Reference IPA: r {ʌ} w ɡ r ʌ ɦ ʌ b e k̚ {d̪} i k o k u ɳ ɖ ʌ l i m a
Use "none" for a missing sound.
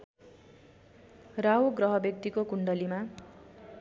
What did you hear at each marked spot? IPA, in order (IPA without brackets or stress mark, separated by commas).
a, t̪